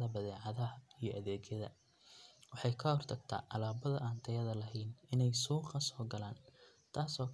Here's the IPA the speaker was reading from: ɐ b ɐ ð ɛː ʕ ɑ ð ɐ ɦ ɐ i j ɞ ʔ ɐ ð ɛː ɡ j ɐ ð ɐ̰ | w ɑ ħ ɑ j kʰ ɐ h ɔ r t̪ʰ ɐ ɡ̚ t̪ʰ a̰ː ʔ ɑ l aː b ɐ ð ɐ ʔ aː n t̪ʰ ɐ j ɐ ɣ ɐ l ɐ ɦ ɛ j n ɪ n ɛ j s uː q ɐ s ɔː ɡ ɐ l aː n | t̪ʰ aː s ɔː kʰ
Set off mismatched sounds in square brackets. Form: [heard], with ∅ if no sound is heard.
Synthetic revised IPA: ɐ b ɐ ð ɛː ʕ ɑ ð ɐ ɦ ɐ i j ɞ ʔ ɐ ð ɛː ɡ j ɐ ð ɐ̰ | w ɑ ħ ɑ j kʰ ɐ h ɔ r t̪ʰ ɐ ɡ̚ t̪ʰ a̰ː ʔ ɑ l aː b ɐ ð ɐ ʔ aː n t̪ʰ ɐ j ɐ [ð] ɐ l ɐ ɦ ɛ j n ɪ n ɛ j s uː q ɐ s ɔː ɡ ɐ l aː n | t̪ʰ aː s ɔː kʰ